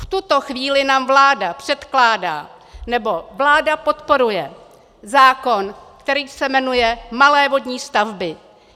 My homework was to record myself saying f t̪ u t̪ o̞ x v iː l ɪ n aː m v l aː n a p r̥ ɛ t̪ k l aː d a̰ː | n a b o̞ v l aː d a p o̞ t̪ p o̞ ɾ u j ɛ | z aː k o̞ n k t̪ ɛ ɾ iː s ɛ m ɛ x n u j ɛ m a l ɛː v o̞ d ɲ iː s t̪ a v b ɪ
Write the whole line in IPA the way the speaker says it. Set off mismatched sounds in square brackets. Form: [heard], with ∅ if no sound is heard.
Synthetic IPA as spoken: f t̪ u t̪ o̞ x v iː l ɪ n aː m v l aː [d] a p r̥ ɛ t̪ k l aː d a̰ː | n [ɛ] b o̞ v l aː d a p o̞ t̪ p o̞ ɾ u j ɛ | z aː k o̞ n k t̪ ɛ ɾ iː s ɛ m ɛ [∅] n u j ɛ m a l ɛː v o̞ d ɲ iː s t̪ a v b ɪ